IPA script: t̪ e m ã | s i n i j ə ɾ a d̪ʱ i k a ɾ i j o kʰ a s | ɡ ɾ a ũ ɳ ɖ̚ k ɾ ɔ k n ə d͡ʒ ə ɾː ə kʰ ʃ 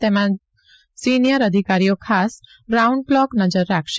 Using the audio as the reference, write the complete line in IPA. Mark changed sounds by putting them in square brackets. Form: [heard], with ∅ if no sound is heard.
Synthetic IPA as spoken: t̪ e m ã | s i n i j ə ɾ [ə] d̪ʱ i k a ɾ i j o kʰ a s | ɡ ɾ a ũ ɳ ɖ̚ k [l] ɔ k n ə d͡ʒ ə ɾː [a] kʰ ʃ